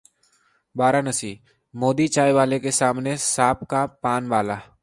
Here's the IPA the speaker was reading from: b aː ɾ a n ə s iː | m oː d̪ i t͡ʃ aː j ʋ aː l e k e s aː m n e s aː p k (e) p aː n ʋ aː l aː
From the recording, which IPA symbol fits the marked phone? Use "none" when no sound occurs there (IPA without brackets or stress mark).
a